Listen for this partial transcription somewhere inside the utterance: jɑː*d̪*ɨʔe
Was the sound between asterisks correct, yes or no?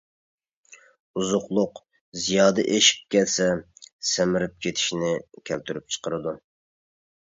yes